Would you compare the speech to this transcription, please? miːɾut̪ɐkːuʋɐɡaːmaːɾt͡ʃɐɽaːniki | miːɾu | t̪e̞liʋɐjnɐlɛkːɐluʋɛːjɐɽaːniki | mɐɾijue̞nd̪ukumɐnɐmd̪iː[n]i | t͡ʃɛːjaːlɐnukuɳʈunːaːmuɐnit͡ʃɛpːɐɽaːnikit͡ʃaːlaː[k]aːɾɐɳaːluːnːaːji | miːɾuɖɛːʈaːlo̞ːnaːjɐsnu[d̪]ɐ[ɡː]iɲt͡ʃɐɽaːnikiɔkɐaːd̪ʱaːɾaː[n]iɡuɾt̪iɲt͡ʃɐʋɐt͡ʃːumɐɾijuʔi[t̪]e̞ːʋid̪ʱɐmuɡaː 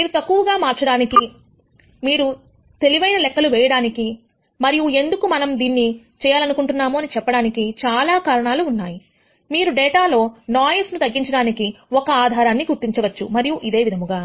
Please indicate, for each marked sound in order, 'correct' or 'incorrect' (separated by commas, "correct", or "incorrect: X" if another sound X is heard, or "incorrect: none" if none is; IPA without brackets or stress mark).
incorrect: nː, correct, incorrect: t̪, correct, incorrect: nː, incorrect: d̪